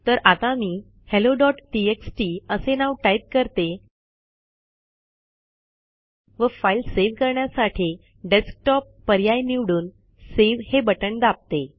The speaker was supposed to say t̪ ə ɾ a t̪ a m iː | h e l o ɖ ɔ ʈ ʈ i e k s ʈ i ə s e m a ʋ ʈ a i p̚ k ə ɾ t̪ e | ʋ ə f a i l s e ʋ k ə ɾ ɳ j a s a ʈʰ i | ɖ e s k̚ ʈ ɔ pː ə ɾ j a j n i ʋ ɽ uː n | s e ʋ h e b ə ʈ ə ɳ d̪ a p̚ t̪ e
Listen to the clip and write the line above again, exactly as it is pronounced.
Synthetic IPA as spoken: t̪ ə ɾ a t̪ a m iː | h e l o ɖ ɔ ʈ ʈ i e k s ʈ i ə s e n a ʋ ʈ a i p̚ k ə ɾ t̪ e | ʋ ə f a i l s e ʋ k ə ɾ ɳ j a s a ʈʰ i | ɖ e s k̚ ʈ ɔ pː ə ɾ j a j n i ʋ ɽ uː n | s e ʋ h e b ə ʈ ə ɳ d̪ a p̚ t̪ e